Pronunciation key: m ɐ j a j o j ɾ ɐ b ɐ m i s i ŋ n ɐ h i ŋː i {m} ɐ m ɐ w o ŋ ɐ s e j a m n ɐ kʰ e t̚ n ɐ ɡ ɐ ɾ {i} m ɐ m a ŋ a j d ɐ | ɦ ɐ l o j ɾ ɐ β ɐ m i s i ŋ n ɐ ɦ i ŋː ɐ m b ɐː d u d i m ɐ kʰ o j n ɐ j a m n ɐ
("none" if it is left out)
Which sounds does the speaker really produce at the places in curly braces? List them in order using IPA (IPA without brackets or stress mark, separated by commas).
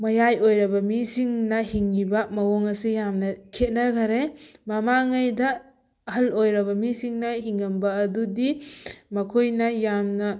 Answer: b, e